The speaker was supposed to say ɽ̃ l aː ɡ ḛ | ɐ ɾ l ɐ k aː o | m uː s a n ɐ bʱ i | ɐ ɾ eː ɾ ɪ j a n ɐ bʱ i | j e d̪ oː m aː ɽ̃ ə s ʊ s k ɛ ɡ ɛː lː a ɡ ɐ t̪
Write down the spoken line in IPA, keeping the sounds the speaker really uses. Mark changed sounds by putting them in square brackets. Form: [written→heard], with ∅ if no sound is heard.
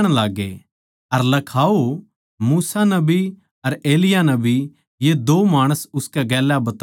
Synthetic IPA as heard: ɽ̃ l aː ɡ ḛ | ɐ ɾ l ɐ [k→kʰ] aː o | m uː s a n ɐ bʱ i | ɐ ɾ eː [ɾ→l] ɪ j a n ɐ bʱ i | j e d̪ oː m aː ɽ̃ ə s ʊ s k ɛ ɡ ɛː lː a [ɡ→b] ɐ t̪